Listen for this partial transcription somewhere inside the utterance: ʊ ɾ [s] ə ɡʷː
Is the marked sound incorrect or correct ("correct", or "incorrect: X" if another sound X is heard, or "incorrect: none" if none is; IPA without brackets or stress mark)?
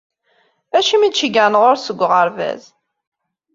correct